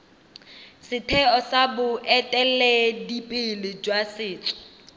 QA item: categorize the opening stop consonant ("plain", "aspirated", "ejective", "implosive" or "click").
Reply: aspirated